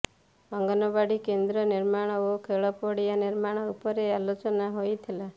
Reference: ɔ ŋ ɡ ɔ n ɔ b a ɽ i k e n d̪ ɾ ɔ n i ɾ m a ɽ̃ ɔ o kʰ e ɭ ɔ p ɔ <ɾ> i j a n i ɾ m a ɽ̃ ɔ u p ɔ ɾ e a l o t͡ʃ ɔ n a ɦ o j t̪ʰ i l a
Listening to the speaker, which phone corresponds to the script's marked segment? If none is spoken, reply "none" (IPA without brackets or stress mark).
ɽ